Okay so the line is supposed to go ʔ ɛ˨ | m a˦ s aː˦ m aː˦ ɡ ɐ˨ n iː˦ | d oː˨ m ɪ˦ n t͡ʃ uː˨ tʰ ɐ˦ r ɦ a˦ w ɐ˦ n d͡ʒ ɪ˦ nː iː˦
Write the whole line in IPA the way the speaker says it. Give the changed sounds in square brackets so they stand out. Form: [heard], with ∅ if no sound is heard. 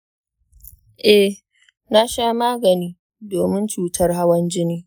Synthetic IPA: ʔ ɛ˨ | [n] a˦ [ʃ] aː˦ m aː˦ ɡ ɐ˨ n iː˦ | d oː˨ m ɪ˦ n t͡ʃ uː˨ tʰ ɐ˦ r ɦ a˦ w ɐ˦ n d͡ʒ ɪ˦ [n] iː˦